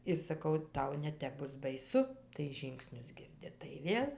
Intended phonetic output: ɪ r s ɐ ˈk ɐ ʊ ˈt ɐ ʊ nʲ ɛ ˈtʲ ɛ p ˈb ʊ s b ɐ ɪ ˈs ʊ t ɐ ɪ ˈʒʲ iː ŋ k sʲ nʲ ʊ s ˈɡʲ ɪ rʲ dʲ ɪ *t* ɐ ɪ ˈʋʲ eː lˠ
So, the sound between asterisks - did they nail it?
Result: yes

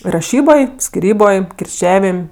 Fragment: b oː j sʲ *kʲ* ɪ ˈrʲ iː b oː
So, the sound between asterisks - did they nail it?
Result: yes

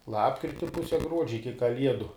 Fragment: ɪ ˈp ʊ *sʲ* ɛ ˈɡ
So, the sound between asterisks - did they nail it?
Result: yes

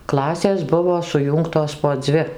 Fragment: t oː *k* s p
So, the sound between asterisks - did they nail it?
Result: no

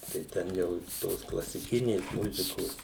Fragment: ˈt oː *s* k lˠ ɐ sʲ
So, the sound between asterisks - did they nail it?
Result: yes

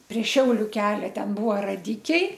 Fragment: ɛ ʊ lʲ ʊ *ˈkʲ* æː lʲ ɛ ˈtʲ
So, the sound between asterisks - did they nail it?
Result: yes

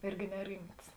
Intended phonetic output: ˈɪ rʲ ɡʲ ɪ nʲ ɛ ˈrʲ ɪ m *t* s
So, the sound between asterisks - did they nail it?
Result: yes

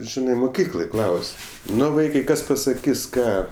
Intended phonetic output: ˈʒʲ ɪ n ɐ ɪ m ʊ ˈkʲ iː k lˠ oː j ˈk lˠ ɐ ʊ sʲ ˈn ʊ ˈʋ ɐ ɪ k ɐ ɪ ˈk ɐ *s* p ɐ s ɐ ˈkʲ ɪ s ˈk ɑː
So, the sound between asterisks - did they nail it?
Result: yes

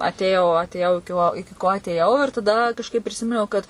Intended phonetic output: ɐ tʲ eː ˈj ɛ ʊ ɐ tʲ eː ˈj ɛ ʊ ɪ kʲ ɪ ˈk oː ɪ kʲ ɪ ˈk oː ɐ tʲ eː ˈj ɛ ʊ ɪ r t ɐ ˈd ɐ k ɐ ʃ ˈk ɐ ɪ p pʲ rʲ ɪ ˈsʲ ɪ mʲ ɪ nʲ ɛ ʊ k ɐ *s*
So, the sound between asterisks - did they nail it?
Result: no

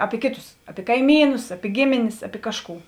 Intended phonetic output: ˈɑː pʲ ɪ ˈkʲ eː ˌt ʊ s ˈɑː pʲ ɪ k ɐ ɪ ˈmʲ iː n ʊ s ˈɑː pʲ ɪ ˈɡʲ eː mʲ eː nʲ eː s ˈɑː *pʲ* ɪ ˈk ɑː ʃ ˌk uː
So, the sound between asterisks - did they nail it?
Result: yes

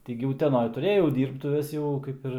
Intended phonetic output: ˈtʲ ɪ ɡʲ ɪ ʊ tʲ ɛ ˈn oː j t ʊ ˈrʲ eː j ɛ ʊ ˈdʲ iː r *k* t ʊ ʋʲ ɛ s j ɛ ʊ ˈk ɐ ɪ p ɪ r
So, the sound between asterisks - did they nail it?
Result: no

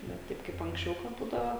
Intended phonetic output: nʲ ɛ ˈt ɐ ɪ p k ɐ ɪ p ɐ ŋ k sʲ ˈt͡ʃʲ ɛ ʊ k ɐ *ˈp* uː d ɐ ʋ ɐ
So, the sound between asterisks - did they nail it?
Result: no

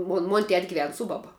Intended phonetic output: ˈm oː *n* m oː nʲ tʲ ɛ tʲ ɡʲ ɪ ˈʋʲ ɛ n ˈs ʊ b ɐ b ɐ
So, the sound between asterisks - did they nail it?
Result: yes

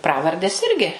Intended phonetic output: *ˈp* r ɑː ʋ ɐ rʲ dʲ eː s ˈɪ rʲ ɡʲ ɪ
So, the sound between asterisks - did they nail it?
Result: yes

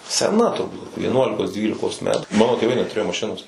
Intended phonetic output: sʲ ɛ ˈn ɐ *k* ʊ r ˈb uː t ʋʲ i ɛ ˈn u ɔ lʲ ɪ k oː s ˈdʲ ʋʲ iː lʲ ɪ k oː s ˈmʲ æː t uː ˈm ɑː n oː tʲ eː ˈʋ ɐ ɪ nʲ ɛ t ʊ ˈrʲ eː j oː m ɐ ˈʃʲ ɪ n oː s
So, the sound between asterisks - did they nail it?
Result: no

